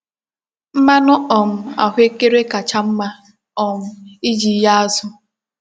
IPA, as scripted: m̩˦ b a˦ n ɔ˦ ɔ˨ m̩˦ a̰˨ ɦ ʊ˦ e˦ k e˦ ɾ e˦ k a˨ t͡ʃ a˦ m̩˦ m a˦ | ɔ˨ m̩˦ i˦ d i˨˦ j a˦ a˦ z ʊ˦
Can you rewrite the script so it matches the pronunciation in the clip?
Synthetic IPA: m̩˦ m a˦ n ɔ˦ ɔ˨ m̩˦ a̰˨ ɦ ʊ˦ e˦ k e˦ ɾ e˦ k a˨ t͡ʃ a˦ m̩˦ m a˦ | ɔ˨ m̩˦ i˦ d͡ʒ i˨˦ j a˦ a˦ z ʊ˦